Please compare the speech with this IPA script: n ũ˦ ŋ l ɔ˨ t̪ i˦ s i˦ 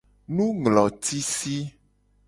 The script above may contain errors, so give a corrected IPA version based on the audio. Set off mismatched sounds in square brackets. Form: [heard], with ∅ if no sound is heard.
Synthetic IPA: n ũ˦ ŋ l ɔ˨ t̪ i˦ s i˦